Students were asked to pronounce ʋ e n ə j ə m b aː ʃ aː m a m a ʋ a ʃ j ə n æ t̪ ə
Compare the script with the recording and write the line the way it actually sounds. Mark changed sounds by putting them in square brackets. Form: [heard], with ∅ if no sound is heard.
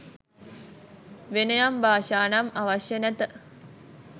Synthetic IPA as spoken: ʋ e n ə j [a] m b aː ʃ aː [n] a m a ʋ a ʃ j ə n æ t̪ ə

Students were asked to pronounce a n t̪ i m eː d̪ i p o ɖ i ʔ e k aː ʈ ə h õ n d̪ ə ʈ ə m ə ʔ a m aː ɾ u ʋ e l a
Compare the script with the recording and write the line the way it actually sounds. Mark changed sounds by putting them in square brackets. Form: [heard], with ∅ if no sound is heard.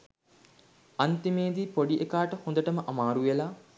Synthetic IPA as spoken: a n t̪ i m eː d̪ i p o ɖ i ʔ e k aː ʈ ə h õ n d̪ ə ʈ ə m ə ʔ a m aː ɾ u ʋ e l a

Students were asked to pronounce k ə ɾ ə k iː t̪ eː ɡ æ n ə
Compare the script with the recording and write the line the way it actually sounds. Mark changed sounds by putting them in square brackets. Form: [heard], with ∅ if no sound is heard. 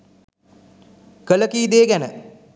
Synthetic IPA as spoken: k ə [l] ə k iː [d̪] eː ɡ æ n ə

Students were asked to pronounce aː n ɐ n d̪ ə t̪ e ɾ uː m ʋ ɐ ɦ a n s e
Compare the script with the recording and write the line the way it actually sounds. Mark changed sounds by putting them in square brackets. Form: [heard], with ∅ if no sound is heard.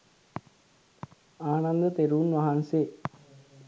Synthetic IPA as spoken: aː n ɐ n d̪ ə t̪ e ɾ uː [n] ʋ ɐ ɦ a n s e

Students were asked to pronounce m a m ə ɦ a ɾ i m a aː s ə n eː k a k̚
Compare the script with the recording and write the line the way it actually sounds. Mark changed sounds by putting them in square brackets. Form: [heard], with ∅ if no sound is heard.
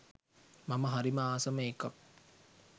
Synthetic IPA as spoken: m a m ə ɦ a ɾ i m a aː s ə [m] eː k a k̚

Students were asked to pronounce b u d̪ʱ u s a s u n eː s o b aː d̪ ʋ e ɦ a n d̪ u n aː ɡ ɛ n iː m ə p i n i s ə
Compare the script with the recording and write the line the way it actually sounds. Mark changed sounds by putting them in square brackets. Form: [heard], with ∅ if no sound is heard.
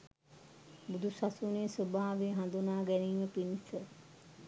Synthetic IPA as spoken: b u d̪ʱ u s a s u n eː s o b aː [∅] ʋ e ɦ a n d̪ u n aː ɡ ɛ n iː m ə p i n i s ə

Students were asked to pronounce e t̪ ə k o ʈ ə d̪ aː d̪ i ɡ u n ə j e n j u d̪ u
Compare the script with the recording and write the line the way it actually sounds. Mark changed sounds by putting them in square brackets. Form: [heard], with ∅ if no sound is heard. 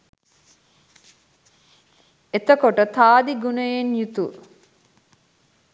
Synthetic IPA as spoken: e t̪ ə k o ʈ ə [t̪] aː d̪ i ɡ u n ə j e n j u [t̪] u

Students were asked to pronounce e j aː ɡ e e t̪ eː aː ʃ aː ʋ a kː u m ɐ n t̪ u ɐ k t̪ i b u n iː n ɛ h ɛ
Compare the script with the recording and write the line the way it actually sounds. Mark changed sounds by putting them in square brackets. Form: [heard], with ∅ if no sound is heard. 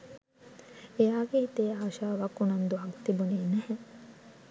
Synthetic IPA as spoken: e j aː ɡ e [i] t̪ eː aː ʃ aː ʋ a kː u [n] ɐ n [d̪] u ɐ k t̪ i b u n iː n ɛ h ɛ

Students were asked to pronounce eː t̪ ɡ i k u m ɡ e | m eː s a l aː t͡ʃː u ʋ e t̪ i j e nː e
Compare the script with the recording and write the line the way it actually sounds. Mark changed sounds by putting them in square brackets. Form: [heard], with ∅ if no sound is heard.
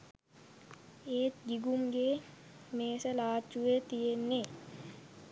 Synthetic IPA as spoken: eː t̪ ɡ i [ɡ] u m ɡ e | m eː s [ə] l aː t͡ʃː u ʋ e t̪ i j e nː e

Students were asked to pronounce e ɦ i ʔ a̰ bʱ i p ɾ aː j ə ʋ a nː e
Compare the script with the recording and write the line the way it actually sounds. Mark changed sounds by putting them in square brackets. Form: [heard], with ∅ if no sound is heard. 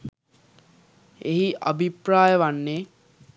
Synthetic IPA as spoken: e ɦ i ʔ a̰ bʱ i p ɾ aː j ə ʋ a nː e

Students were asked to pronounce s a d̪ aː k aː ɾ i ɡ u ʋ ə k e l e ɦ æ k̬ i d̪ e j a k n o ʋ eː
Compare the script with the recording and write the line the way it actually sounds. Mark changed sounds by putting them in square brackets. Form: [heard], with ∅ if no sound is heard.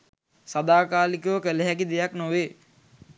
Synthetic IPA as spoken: s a d̪ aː k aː [l] i [k] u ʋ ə k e l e ɦ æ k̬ i d̪ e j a k n o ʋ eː

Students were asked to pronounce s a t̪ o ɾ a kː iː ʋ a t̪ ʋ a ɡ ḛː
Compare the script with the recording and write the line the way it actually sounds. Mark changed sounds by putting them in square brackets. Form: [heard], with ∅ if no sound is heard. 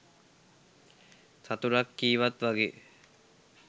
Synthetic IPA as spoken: s a t̪ [u] ɾ a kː iː ʋ a t̪ ʋ a ɡ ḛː

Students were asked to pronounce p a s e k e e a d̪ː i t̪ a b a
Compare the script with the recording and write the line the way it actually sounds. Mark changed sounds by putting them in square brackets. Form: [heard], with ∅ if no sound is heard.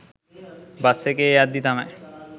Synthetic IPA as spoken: [b] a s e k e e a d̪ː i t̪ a [m] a

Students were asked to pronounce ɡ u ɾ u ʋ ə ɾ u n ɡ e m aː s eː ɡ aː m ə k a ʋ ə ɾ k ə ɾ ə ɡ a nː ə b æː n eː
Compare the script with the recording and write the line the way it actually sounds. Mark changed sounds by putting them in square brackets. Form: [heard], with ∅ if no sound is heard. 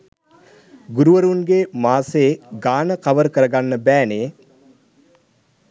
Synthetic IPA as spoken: ɡ u ɾ u ʋ ə ɾ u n ɡ e m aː s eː ɡ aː [n] ə k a ʋ ə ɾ k ə ɾ ə ɡ a nː ə b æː n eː

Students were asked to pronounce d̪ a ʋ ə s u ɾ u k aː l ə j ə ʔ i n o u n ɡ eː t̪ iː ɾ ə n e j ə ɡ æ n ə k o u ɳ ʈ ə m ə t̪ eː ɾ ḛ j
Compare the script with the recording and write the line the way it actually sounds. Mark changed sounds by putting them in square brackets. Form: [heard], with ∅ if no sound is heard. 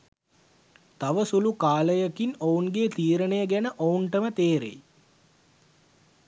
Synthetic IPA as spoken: [t̪] a ʋ ə s u [l] u k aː l ə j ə [k] i n o u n ɡ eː t̪ iː ɾ ə n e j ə ɡ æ n ə [ʔ] o u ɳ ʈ ə m ə t̪ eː ɾ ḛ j

